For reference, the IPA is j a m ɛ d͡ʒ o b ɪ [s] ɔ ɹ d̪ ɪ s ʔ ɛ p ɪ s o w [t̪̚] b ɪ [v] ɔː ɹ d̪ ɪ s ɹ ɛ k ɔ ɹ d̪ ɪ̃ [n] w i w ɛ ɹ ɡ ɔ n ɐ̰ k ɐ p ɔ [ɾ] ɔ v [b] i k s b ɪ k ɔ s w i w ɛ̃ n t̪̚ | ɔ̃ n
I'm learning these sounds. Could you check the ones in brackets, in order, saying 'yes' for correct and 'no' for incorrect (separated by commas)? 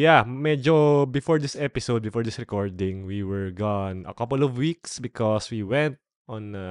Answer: no, no, no, no, no, no